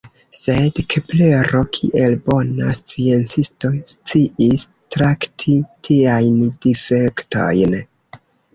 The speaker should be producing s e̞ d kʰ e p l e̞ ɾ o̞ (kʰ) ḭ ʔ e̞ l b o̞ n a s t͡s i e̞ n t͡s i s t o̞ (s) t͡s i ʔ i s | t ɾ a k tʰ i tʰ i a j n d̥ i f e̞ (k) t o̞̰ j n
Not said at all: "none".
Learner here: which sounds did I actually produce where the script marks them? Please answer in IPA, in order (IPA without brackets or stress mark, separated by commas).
kʰ, s, k